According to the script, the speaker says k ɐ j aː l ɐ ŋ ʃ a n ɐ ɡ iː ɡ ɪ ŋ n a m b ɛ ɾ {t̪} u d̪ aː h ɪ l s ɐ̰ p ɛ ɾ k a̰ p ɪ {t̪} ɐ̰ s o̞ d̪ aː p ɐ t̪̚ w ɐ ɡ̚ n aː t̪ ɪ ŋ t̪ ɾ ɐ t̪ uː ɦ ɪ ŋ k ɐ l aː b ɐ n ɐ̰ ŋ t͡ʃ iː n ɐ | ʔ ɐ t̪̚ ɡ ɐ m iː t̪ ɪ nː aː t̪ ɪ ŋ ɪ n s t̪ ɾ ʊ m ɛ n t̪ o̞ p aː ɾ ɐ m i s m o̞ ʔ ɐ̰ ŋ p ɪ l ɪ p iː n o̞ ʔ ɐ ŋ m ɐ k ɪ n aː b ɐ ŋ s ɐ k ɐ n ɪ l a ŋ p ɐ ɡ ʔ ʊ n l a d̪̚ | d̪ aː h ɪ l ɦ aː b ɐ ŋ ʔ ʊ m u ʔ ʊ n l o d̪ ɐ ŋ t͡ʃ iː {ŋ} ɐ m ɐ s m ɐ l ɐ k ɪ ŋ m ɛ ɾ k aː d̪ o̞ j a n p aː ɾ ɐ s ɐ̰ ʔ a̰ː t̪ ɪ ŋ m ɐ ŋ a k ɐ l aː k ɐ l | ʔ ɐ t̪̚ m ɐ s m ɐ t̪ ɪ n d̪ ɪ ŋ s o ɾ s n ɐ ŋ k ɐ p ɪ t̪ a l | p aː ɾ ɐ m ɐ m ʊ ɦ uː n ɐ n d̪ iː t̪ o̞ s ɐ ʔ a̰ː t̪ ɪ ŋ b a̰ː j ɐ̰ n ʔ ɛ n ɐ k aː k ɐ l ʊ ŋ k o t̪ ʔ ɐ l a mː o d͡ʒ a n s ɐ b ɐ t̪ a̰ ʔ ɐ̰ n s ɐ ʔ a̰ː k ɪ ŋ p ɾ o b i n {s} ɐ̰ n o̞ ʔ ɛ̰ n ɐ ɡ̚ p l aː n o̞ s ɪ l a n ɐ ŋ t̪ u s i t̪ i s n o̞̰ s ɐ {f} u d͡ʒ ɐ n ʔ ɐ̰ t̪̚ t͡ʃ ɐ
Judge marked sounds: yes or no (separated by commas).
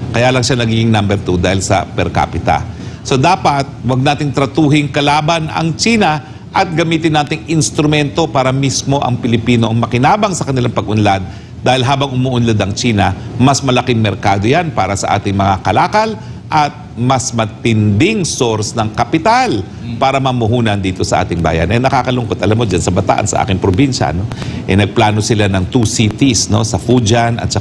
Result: yes, yes, no, no, yes